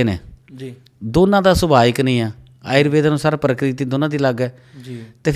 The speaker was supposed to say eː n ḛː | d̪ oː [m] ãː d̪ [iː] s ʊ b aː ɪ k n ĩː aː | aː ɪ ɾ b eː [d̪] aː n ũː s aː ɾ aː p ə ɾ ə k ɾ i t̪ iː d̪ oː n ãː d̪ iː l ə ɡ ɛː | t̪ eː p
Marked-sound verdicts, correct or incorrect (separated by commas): incorrect, incorrect, correct